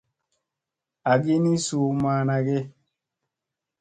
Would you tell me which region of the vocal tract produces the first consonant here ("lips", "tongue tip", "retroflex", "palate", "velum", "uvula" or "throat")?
velum